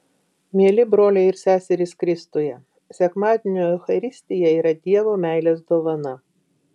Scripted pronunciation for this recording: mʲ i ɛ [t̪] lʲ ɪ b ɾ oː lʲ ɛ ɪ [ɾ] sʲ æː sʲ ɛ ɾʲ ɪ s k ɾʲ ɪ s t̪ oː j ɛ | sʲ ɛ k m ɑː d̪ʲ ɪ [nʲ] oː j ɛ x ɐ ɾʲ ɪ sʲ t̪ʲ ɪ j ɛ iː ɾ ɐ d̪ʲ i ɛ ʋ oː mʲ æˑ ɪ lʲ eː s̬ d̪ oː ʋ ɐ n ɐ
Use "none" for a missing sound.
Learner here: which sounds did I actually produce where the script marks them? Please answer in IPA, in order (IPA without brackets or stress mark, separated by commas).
none, ɾ, nʲ